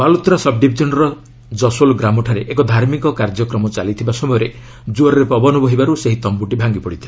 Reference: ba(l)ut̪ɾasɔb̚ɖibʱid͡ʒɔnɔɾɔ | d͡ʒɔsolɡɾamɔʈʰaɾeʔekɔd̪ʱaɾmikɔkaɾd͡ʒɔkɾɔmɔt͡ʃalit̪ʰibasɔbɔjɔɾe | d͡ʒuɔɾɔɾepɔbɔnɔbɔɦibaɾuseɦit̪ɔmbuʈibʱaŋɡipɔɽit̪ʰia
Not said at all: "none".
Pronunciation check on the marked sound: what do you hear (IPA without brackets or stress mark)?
l